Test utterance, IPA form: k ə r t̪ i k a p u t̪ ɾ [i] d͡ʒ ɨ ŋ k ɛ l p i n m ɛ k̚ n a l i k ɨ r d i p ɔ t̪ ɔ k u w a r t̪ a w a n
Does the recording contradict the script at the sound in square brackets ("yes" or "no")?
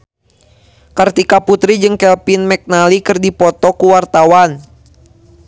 no